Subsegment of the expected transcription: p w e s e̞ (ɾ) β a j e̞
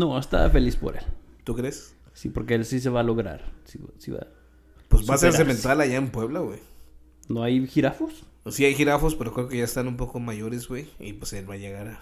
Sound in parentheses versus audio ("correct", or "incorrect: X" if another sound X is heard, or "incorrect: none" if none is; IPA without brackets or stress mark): incorrect: l